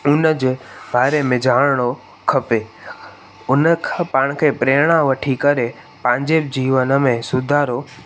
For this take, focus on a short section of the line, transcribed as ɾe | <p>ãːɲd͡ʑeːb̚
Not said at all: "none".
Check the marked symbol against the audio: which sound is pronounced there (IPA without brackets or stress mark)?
p